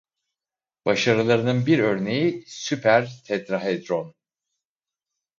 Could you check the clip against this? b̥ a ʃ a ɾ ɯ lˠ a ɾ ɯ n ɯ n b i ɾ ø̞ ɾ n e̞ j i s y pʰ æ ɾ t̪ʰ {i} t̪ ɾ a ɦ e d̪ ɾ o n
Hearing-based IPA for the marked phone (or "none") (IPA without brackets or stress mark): ɛ